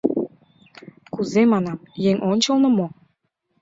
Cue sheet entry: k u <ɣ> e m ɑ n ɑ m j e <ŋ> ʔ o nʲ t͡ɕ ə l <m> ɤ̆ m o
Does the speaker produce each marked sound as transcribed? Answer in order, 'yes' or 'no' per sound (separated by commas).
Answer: no, yes, no